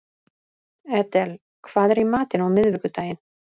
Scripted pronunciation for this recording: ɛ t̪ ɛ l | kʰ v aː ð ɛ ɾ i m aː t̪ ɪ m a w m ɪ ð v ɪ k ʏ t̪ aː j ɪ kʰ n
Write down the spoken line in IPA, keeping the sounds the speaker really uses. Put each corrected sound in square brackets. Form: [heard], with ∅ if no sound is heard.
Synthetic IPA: ɛ t̪ ɛ l | kʰ v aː ð ɛ ɾ i m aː t̪ ɪ [n] a w m ɪ ð v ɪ k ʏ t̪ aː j ɪ [∅] n